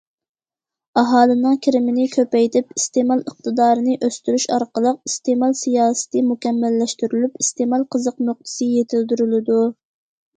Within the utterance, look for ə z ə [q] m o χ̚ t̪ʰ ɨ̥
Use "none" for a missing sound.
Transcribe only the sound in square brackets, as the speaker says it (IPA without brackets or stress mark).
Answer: q